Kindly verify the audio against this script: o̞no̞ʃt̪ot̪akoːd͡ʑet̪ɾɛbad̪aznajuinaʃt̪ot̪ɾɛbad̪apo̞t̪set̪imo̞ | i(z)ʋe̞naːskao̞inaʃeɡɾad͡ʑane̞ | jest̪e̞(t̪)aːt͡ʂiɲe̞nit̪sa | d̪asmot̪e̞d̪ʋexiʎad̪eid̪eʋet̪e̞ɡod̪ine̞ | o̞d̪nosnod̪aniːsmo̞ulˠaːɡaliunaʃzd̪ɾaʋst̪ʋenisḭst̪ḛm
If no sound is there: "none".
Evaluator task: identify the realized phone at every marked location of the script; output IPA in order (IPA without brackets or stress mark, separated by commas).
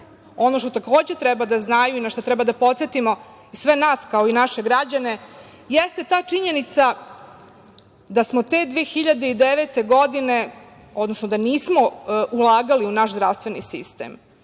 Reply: s, t̪